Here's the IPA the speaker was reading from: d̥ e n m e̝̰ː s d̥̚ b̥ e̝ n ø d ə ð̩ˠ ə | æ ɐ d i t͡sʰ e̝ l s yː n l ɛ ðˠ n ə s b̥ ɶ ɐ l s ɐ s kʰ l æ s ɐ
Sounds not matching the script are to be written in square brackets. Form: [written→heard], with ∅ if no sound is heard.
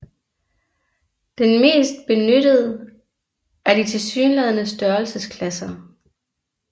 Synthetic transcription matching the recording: d̥ e n m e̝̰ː s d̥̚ b̥ e̝ n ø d ə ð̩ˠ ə | æ ɐ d i t͡sʰ e̝ l s yː n l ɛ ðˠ n ə s [b̥→d̥] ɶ ɐ l s [ɐ→ə] s kʰ l æ s ɐ